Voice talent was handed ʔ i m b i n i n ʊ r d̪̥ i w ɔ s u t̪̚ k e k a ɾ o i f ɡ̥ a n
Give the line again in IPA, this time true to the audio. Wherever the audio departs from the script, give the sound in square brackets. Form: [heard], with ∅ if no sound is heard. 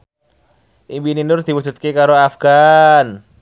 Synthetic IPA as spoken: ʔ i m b i n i n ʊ r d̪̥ i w [u] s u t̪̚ k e k a ɾ o [a] f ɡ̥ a n